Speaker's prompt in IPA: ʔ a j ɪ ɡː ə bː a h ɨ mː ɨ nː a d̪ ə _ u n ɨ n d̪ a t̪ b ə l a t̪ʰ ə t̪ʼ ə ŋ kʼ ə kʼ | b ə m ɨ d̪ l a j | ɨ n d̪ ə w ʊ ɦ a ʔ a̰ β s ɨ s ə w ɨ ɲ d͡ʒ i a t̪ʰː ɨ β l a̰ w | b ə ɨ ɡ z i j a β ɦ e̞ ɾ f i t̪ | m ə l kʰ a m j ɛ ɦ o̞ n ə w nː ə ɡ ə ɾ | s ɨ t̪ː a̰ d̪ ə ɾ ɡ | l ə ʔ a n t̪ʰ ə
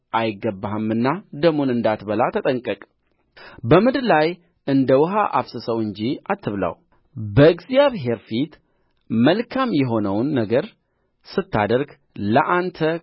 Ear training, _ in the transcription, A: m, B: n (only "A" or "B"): A